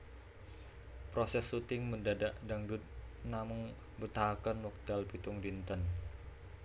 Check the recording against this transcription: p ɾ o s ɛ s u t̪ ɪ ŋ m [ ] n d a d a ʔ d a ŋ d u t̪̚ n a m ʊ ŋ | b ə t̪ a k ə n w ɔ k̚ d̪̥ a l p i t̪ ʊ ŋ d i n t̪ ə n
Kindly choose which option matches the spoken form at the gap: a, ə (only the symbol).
ə